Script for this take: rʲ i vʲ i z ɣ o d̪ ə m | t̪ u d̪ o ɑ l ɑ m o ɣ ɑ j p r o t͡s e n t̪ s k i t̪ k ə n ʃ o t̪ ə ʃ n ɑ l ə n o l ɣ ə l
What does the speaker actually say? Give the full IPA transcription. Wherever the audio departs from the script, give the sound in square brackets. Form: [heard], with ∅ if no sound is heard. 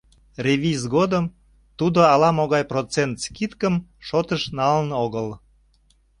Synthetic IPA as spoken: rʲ [e] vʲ i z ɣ o d̪ ə m | t̪ u d̪ o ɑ l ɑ m o ɣ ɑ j p r o t͡s e n t̪ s k i t̪ k ə [m] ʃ o t̪ ə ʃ n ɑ l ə n o [∅] ɣ ə l